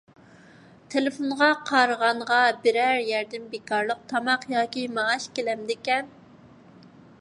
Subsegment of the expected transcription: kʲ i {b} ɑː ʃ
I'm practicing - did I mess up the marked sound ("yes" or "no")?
yes